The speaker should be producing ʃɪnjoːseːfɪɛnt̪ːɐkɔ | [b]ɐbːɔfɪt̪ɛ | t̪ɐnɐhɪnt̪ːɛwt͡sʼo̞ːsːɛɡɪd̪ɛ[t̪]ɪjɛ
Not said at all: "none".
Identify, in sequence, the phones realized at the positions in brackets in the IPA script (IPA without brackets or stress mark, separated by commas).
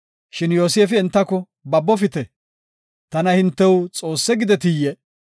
b, t̪